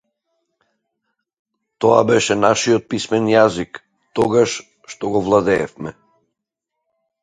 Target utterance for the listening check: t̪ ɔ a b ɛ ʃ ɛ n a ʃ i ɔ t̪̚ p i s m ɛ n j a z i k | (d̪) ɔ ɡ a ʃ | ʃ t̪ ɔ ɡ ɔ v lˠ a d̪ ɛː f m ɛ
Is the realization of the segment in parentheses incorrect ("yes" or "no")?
yes